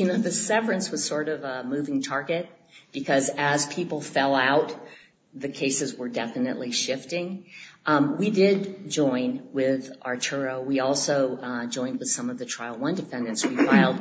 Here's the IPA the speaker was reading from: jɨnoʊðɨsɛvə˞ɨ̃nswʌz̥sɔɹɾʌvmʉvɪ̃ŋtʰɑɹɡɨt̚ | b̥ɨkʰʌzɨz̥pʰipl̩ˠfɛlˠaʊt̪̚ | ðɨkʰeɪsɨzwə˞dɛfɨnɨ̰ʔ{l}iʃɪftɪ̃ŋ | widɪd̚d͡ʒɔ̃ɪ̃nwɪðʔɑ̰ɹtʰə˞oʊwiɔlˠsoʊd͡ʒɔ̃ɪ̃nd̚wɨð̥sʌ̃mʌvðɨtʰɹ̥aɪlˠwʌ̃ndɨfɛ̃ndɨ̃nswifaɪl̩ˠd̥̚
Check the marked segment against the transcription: correct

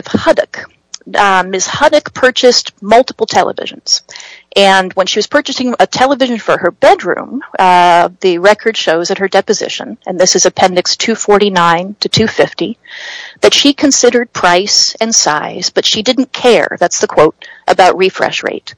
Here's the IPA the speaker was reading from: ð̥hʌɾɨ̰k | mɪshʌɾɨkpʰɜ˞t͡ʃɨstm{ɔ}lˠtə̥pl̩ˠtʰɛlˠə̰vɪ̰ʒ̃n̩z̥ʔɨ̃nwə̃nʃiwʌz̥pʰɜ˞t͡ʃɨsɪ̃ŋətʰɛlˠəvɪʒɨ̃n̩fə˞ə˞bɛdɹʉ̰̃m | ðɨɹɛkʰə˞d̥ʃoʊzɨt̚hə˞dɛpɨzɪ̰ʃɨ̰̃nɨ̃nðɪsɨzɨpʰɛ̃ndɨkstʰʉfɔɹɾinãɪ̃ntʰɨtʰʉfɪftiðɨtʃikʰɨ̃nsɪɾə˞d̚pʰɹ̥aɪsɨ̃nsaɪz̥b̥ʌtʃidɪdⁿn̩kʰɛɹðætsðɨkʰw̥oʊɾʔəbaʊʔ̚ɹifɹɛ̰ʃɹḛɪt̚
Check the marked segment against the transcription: incorrect: ʌ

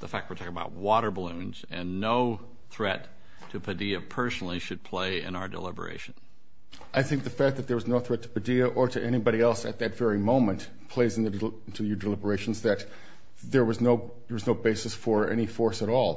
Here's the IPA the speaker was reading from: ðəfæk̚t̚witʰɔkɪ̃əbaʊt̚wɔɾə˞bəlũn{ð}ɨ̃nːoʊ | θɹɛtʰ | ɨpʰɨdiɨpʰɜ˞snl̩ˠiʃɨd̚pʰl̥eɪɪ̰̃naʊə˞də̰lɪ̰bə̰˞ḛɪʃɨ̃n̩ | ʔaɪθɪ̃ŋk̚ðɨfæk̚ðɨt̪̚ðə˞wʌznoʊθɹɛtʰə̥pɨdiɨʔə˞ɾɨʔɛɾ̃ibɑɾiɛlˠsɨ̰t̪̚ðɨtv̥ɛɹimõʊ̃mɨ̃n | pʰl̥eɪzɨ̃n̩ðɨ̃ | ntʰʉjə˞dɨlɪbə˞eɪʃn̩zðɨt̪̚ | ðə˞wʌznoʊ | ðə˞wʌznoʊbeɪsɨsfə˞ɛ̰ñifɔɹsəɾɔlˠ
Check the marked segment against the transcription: incorrect: z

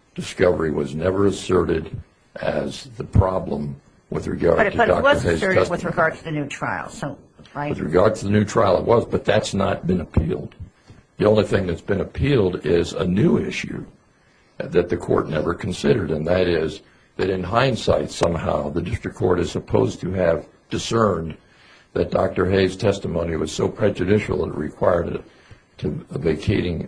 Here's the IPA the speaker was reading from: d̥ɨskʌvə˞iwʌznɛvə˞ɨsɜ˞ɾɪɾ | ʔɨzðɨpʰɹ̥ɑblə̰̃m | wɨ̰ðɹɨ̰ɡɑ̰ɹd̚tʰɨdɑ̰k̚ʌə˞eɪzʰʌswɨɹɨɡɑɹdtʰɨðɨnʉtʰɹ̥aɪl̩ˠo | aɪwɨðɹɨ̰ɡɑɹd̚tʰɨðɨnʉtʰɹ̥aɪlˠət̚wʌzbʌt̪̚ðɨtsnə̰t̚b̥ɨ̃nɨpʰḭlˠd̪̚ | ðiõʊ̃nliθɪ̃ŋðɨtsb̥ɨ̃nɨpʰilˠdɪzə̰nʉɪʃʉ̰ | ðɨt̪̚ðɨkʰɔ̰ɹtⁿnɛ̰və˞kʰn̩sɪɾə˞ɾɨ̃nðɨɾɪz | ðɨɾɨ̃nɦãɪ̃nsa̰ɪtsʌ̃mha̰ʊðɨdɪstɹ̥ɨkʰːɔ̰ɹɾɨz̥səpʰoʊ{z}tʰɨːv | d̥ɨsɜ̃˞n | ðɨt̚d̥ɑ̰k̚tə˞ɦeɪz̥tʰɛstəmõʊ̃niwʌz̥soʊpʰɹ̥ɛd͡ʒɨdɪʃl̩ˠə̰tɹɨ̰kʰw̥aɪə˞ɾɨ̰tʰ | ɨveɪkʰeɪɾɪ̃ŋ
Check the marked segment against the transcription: correct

